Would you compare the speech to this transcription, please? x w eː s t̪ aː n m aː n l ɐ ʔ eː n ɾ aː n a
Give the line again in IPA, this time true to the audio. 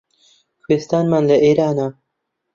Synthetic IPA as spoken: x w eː s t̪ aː n m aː n l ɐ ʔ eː ɾ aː n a